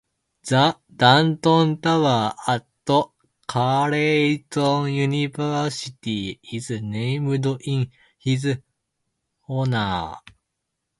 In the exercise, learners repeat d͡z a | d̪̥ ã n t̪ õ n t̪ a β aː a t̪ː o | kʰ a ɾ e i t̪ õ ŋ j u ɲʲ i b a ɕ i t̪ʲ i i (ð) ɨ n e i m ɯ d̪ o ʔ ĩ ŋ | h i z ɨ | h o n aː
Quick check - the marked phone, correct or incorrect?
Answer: incorrect